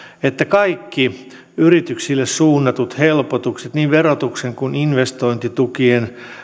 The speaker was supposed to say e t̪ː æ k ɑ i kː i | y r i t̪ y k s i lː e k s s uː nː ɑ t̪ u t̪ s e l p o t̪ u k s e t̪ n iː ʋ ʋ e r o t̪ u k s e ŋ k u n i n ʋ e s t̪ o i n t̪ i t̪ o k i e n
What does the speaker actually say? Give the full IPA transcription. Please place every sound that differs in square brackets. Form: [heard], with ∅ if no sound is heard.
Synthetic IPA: e t̪ː æ k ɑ i kː i | y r i t̪ y k s i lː e [∅] s s uː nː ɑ t̪ u t̪ [h] e l p o t̪ u k s e t̪ n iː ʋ ʋ e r o t̪ u k s e ŋ k u n i n ʋ e s t̪ o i n t̪ i t̪ [u] k i e n